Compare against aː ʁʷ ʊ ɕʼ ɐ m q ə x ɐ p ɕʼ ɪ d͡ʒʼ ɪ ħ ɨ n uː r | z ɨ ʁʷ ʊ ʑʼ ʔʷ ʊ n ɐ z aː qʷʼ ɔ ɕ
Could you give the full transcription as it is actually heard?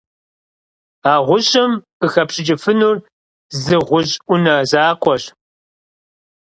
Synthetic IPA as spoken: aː ʁʷ ʊ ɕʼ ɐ m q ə x ɐ p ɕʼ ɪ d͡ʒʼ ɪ f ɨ n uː r | z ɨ ʁʷ ʊ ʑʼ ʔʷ ʊ n ɐ z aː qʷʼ ɔ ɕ